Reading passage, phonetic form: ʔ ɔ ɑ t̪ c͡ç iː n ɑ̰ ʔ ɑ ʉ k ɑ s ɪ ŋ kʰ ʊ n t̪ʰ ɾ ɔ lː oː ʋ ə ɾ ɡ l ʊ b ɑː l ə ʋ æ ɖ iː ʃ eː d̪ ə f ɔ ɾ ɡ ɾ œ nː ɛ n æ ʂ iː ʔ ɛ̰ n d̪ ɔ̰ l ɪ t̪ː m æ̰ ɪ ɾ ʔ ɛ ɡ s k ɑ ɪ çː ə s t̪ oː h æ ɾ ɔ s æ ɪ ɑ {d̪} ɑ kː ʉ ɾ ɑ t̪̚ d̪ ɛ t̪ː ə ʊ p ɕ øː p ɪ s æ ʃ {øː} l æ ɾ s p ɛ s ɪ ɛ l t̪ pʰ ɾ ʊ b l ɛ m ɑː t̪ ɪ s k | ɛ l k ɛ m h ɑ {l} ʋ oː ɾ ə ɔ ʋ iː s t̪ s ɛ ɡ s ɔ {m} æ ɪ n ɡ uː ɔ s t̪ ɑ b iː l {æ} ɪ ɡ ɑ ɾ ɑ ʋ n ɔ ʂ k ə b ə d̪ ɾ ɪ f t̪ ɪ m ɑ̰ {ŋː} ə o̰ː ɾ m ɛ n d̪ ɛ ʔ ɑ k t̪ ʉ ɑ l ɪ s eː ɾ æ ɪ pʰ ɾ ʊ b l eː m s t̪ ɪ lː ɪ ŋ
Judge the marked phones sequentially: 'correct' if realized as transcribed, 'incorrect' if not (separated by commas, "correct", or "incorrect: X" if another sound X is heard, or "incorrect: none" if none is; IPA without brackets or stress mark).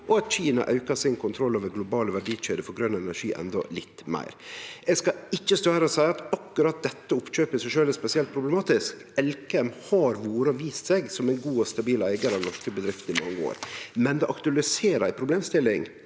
incorrect: t̪, correct, incorrect: ɾ, correct, correct, correct